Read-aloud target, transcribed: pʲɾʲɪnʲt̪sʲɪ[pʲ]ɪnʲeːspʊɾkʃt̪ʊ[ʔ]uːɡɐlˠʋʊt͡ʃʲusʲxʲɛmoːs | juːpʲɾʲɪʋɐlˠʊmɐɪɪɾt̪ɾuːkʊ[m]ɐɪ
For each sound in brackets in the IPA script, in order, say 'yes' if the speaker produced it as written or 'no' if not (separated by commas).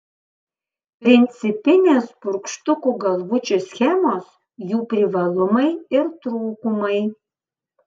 yes, no, yes